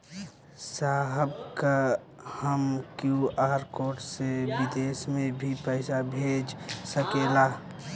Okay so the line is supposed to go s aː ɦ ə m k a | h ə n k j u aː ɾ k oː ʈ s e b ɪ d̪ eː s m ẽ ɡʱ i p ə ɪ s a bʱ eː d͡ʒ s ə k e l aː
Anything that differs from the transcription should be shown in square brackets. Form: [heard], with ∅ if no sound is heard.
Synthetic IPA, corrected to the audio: s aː ɦ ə [b] k a | h ə [m] k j u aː ɾ k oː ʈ s e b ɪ d̪ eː s m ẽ [bʱ] i p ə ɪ s a bʱ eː d͡ʒ s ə k e l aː